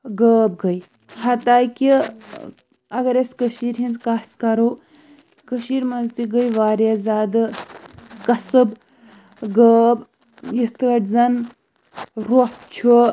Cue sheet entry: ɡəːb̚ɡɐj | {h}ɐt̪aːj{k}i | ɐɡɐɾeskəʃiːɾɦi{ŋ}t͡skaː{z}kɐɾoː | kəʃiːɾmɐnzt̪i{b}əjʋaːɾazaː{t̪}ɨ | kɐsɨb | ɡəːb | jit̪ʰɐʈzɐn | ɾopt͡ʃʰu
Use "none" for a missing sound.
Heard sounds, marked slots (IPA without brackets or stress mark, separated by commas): h, k, n, s, ɡ, d̪